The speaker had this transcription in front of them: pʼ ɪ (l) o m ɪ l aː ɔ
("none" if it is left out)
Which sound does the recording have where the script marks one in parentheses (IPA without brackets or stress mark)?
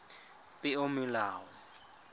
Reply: none